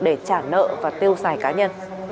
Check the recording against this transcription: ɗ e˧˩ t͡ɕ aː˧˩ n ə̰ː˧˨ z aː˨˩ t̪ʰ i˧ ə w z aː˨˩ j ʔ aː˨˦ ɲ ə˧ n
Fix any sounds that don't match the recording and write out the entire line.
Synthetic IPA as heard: ɗ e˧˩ t͡ɕ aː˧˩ n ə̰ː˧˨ v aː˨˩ t̪ i˧ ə w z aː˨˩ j k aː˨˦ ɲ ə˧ n